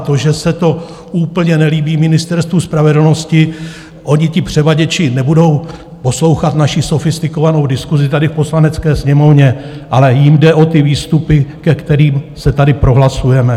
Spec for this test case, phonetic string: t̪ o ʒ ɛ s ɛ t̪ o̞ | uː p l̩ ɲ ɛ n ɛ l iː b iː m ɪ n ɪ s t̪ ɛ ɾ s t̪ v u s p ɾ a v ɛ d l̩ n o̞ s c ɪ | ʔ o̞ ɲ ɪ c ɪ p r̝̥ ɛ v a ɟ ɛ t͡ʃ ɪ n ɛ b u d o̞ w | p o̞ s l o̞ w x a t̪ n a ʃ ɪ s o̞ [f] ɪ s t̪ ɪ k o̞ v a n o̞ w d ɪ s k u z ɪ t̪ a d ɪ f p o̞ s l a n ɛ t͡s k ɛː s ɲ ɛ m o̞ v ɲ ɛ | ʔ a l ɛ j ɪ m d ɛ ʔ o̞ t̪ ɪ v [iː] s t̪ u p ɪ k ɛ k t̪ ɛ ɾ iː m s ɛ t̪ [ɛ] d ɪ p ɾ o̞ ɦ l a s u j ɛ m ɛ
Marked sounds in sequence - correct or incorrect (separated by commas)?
correct, correct, incorrect